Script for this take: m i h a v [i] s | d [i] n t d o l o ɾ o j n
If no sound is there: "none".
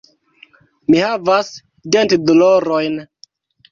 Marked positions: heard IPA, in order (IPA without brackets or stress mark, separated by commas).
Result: a, e